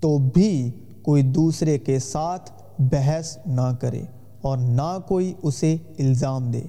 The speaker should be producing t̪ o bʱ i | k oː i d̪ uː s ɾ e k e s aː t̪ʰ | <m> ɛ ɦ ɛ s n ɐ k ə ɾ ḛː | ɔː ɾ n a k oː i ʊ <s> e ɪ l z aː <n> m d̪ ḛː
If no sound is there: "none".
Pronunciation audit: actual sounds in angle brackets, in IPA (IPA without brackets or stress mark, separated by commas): b, s, none